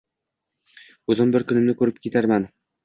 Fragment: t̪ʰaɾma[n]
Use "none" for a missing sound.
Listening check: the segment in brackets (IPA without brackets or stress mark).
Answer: n